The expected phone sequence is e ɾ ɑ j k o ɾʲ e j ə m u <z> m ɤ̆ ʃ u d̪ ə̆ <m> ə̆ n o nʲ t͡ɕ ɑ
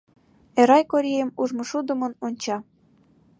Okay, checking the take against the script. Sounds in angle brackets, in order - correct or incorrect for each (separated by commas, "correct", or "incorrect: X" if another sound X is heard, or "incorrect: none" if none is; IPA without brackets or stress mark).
incorrect: ʒ, correct